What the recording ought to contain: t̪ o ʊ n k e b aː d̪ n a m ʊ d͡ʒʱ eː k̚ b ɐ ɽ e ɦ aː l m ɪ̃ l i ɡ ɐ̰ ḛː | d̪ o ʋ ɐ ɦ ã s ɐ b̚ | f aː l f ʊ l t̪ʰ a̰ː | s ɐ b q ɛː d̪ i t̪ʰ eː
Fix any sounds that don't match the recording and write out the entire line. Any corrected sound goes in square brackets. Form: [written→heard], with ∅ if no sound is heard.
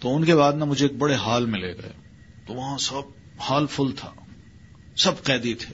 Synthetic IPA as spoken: t̪ o ʊ n k e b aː d̪ n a m ʊ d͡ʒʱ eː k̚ b ɐ ɽ e ɦ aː l m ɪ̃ l [i→e] ɡ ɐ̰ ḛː | [d̪→t̪] o ʋ ɐ ɦ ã s ɐ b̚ | [f→h] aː l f ʊ l t̪ʰ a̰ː | s ɐ b q ɛː d̪ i t̪ʰ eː